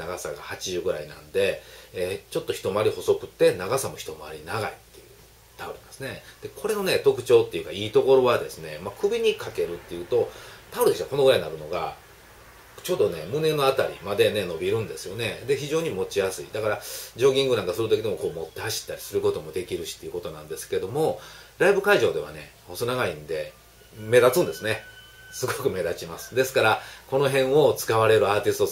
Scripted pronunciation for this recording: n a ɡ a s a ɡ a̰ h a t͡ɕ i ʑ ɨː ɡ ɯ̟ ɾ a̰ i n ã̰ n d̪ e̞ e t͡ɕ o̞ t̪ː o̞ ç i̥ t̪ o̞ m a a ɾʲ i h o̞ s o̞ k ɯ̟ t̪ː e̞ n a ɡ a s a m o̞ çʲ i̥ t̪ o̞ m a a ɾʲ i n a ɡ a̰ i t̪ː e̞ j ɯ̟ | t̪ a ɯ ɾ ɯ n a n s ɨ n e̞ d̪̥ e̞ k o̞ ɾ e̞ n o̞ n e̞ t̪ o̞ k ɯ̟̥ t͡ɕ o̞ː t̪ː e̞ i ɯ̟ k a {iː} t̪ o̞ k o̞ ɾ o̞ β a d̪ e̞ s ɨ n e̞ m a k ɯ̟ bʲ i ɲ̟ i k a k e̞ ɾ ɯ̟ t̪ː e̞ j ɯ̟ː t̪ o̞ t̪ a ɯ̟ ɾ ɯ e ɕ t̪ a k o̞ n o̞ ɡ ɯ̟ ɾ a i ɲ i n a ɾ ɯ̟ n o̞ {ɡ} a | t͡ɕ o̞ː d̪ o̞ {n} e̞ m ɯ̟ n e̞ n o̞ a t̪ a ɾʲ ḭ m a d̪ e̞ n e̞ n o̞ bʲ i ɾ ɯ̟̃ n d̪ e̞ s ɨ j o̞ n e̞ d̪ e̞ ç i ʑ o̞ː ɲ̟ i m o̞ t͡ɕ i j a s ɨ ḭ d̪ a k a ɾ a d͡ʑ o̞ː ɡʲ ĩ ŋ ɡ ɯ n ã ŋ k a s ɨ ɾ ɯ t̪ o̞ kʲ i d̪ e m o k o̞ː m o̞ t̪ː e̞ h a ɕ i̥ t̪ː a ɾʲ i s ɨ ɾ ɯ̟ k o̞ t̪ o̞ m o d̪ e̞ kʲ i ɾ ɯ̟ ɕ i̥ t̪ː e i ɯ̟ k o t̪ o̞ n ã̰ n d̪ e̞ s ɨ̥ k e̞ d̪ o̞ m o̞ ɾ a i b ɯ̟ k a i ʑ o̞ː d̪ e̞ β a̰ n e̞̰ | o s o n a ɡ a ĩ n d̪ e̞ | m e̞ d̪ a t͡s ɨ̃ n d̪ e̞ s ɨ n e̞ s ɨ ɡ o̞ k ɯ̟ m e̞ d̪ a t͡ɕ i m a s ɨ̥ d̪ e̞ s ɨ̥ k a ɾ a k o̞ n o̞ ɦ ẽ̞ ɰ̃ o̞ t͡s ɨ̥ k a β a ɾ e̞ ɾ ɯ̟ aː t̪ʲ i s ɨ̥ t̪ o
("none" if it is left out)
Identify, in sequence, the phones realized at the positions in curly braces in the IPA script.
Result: iː, ɡ, n

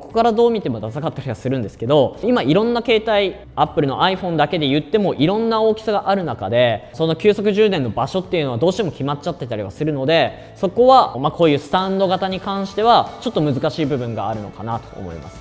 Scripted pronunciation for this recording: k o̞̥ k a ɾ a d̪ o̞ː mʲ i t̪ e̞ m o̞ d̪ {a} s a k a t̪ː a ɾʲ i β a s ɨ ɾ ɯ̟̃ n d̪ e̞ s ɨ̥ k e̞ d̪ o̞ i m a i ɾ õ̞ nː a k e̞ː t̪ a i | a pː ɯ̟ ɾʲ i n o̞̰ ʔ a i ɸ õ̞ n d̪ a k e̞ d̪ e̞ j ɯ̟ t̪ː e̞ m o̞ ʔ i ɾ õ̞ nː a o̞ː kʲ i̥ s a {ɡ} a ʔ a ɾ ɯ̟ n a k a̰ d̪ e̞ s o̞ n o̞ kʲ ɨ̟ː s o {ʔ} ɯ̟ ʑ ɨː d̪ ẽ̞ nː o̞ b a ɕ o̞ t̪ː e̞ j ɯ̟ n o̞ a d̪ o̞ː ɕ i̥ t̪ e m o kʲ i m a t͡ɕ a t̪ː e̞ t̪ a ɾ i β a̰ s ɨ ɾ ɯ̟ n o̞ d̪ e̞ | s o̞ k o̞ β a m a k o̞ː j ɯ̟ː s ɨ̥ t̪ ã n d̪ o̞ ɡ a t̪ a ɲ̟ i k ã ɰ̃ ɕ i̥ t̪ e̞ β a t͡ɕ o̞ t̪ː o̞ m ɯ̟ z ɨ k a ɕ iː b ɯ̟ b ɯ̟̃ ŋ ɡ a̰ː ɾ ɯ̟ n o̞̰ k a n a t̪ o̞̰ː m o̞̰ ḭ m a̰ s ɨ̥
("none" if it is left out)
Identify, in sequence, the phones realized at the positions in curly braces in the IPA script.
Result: a, ɡ, k

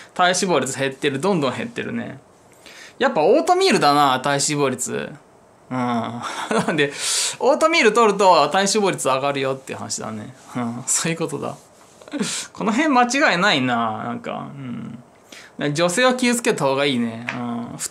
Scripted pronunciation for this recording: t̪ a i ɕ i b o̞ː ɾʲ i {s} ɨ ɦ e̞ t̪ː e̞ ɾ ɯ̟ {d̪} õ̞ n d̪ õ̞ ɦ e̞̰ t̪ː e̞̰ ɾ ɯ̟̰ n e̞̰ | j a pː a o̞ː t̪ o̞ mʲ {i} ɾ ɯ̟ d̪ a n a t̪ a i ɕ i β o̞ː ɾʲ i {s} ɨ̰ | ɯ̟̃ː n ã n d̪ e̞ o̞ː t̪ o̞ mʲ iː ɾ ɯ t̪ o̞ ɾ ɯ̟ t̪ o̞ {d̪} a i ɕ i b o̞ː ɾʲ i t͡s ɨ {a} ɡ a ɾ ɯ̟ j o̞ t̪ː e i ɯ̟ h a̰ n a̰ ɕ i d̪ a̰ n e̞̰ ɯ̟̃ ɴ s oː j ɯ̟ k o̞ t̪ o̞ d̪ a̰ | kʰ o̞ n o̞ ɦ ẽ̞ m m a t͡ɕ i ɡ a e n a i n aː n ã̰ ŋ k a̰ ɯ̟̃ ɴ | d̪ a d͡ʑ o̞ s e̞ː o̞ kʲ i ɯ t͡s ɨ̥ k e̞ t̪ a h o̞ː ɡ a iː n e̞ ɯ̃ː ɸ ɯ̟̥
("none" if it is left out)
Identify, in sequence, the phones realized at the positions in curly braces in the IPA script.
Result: t͡s, d̪, iː, t͡s, t̪, a

